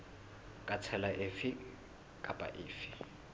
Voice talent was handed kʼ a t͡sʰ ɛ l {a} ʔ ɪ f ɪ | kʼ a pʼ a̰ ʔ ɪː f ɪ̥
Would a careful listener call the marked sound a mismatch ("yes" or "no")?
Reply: no